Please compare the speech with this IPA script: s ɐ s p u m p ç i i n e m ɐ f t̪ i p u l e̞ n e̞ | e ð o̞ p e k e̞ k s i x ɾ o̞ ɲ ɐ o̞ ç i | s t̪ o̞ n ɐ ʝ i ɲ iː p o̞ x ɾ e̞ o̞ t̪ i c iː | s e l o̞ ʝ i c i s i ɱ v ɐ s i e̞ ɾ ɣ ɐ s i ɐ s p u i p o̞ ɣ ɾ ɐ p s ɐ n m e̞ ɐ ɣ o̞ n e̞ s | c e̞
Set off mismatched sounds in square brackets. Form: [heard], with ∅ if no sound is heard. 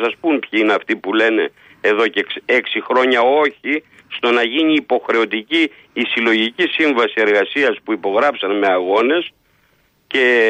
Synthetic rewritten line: s ɐ s p u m p ç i i n e [∅] ɐ f t̪ i p u l e̞ n e̞ | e ð o̞ [c] e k e̞ k s i x ɾ o̞ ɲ ɐ o̞ ç i | s t̪ o̞ n ɐ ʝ i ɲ iː p o̞ x ɾ e̞ o̞ t̪ i c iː | s [i] l o̞ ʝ i c i s i ɱ v ɐ s i e̞ ɾ ɣ ɐ s i ɐ s p u i p o̞ ɣ ɾ ɐ p s ɐ n m e̞ ɐ ɣ o̞ n e̞ s | c e̞